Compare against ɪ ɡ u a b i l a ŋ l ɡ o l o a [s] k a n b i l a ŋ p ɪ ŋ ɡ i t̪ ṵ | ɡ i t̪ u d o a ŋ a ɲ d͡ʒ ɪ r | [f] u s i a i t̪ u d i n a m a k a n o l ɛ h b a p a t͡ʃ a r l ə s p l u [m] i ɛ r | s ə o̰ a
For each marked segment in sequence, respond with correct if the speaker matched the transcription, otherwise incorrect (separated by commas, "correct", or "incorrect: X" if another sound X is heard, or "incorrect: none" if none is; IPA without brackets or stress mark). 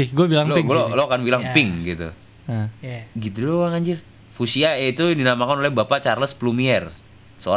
incorrect: none, correct, correct